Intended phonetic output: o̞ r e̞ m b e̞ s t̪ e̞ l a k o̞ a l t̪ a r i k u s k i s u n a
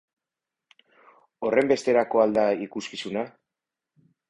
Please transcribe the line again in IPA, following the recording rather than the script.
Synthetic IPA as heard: o̞ r e̞ m b e̞ s t̪ e̞ ɾ a k o̞ a l d̪ a i k u s k i s u n a